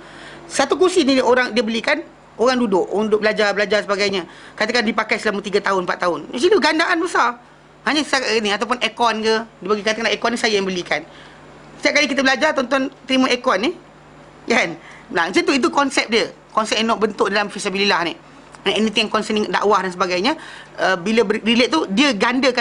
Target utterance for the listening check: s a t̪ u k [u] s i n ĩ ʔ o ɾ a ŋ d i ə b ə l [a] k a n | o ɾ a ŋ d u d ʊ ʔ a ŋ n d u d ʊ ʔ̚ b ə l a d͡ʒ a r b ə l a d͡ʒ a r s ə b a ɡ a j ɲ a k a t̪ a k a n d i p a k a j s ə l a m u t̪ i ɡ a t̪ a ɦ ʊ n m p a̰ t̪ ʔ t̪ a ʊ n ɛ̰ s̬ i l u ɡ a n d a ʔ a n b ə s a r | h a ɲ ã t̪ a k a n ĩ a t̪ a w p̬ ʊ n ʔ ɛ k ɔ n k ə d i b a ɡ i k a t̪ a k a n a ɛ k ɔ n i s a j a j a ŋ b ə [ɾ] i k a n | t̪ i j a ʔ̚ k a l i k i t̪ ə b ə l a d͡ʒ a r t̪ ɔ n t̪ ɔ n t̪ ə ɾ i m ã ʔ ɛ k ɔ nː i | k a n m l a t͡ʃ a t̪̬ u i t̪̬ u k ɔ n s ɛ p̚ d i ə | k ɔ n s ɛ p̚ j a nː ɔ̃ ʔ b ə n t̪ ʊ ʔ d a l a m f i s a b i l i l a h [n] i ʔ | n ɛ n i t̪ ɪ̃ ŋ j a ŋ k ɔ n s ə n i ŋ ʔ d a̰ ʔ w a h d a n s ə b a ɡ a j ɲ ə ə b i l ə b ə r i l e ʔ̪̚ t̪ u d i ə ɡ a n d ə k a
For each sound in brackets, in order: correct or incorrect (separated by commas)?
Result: correct, incorrect, incorrect, correct